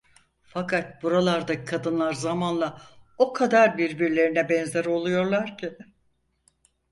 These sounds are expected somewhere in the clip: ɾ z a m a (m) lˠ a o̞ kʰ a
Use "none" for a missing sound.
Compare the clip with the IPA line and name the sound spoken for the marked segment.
n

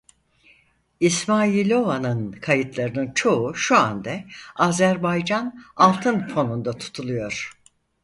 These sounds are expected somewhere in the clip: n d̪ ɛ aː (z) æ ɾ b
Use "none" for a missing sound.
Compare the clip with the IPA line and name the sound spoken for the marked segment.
z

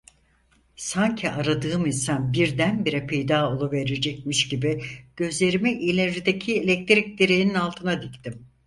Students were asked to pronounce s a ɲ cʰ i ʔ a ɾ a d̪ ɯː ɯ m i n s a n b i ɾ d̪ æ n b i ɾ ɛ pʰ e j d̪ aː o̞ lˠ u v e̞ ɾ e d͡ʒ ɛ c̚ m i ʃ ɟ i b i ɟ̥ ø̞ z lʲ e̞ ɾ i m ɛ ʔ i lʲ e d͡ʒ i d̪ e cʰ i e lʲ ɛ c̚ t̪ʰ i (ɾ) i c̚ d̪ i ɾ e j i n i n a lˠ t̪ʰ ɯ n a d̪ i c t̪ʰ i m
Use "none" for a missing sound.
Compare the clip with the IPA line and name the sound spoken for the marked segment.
ɾ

